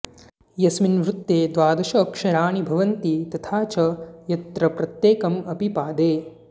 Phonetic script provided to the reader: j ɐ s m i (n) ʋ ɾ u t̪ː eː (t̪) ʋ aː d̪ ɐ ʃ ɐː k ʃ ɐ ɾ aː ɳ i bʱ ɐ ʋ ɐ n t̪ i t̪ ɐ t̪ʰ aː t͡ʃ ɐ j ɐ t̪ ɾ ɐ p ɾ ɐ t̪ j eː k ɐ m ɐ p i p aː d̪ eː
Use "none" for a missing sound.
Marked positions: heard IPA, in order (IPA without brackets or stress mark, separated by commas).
n, d̪